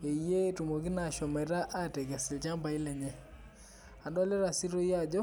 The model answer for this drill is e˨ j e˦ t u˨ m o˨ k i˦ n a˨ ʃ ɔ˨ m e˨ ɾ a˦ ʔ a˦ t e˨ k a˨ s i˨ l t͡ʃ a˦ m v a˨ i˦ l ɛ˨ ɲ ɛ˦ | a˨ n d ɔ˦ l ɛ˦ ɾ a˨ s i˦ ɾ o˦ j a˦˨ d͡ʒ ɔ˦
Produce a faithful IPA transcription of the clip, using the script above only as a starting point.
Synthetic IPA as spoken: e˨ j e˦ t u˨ m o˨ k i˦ n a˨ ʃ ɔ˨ m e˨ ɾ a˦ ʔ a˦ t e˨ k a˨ s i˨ l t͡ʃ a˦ m b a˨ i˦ l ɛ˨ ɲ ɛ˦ | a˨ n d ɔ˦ l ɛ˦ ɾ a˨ s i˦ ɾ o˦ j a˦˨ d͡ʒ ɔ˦